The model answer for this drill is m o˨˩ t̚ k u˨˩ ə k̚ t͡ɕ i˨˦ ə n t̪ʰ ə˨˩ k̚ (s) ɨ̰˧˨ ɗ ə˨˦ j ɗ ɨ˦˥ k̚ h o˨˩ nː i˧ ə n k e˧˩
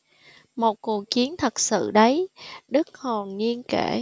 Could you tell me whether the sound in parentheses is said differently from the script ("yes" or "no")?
no